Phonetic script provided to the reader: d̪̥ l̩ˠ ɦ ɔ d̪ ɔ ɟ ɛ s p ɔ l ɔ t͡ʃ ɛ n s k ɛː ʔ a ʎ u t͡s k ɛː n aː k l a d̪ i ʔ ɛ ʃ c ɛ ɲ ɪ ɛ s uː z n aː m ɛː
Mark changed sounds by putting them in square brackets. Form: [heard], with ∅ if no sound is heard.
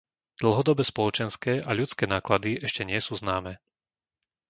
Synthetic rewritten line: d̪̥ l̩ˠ ɦ ɔ d̪ ɔ [b] ɛ s p ɔ l ɔ t͡ʃ ɛ n s k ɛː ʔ a ʎ u t͡s k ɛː n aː k l a d̪ i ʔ ɛ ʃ c ɛ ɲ ɪ ɛ s uː z n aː m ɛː